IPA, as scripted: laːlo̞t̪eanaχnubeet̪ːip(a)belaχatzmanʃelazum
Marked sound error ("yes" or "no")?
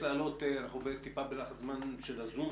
no